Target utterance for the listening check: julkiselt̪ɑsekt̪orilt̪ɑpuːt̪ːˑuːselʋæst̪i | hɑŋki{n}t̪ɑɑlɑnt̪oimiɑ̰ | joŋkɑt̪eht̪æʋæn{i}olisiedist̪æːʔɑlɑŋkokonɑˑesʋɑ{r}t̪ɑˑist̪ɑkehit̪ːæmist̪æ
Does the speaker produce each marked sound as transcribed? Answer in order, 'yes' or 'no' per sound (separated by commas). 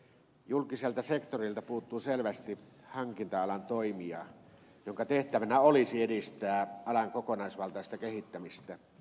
yes, no, no